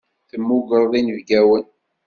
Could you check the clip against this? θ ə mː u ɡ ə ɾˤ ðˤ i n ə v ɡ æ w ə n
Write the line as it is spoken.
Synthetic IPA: θ ə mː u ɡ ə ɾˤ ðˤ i n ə v ɡ æ w ə n